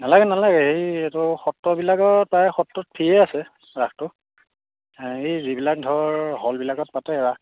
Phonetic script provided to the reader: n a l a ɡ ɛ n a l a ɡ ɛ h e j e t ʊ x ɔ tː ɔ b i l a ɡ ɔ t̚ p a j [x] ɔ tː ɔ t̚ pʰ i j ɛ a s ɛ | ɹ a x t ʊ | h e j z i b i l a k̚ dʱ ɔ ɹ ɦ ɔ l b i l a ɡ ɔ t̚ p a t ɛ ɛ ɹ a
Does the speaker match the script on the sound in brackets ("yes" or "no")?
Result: yes